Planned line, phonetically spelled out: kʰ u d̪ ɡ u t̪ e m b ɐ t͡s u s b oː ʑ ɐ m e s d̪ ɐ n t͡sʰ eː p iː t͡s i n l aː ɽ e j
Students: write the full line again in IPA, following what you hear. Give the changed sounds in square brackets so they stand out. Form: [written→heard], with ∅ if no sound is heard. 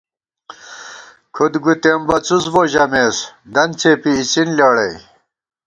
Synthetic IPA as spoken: kʰ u d̪ ɡ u t̪ e m b ɐ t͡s u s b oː ʑ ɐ m e s d̪ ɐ n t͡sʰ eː p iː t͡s i n l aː ɽ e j